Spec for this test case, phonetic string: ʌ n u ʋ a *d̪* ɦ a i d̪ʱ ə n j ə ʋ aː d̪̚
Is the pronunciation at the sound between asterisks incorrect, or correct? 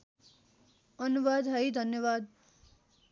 correct